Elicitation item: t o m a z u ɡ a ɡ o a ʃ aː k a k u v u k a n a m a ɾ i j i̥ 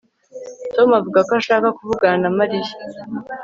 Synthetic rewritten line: t o m a v u ɡ a k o a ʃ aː k a k u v u ɡ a n a m a ɾ i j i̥